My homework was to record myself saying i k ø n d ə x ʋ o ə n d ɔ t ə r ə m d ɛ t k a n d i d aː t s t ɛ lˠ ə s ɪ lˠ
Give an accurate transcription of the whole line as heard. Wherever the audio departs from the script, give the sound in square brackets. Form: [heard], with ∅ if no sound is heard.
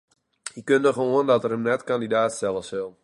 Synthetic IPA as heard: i k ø n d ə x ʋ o ə n d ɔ t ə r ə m [n] ɛ t k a n d i d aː t s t ɛ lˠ ə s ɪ lˠ